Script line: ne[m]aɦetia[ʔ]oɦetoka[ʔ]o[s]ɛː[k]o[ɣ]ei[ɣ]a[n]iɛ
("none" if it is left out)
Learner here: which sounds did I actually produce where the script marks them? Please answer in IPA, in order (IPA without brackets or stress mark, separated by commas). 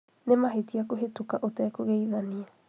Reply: m, k, ʔ, t, k, ɣ, ð, n